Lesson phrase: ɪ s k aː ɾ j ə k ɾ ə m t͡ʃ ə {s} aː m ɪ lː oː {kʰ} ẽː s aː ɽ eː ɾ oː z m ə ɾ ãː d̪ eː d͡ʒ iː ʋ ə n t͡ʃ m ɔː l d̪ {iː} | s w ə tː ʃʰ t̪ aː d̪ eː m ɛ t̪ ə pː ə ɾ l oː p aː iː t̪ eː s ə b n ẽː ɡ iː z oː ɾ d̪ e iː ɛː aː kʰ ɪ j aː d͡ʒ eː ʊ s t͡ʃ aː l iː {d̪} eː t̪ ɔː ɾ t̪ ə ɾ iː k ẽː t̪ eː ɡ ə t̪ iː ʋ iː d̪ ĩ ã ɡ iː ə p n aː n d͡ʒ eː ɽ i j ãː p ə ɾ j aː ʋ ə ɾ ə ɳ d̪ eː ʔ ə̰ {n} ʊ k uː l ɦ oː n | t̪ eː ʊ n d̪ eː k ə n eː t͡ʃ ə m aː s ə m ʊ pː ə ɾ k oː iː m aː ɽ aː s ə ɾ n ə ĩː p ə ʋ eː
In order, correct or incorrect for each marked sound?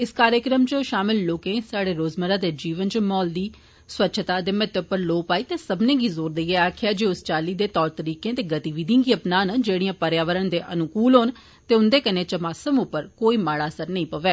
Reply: incorrect: ʃ, incorrect: k, correct, correct, correct

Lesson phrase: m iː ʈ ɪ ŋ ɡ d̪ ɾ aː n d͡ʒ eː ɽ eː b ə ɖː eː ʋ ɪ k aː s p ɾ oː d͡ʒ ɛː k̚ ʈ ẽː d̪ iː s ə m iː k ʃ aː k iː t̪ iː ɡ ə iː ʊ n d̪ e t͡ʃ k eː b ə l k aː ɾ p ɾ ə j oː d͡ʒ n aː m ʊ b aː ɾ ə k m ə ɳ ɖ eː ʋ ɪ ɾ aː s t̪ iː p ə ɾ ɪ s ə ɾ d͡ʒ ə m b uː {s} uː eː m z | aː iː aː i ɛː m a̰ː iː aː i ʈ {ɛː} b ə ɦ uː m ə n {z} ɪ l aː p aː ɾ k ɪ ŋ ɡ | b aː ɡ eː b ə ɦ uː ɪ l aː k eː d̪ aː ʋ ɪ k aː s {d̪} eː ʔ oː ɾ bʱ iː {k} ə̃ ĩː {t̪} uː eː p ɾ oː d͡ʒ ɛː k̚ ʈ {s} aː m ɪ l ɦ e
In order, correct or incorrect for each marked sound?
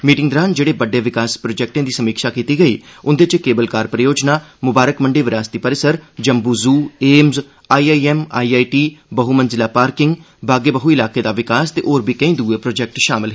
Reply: incorrect: z, incorrect: iː, correct, incorrect: t̪, correct, incorrect: d̪, incorrect: ʃ

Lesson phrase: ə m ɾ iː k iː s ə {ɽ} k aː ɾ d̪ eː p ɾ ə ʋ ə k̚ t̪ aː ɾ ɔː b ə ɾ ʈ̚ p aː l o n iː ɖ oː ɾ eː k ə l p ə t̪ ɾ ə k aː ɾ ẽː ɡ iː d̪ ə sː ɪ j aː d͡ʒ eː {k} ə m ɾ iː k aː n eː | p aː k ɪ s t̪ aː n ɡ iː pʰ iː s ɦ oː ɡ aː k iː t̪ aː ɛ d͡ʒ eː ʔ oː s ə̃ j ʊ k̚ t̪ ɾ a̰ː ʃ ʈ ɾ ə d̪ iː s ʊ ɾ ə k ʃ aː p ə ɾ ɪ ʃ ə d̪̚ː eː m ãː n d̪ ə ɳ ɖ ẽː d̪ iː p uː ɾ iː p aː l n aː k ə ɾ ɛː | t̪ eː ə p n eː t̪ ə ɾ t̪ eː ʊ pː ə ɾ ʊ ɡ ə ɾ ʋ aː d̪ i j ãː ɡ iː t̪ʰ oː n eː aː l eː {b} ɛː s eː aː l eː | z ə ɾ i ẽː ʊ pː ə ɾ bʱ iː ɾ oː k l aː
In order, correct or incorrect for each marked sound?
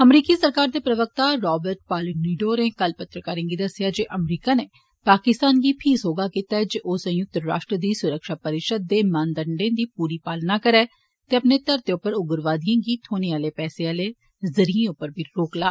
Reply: incorrect: ɾ, incorrect: ʔ, incorrect: p

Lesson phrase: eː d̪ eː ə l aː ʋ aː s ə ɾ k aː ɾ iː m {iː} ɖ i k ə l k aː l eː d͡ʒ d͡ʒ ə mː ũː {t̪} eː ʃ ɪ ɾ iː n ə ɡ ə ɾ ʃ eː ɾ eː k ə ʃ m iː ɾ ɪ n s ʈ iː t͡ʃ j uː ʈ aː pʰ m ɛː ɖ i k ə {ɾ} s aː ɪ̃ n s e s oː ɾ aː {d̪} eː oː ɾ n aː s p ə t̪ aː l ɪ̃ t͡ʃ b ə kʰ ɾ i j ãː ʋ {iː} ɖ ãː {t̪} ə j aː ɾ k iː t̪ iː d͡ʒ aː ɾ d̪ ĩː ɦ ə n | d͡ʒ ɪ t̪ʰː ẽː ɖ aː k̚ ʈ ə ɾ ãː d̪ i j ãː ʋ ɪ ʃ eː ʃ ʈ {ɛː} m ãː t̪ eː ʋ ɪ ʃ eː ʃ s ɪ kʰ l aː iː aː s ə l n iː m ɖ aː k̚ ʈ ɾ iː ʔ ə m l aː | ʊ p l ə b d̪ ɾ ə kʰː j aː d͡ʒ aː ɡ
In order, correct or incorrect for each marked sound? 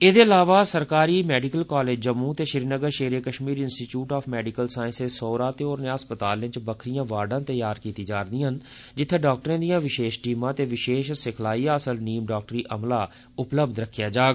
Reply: incorrect: ɛː, correct, incorrect: l, incorrect: t̪, incorrect: aː, correct, incorrect: iː

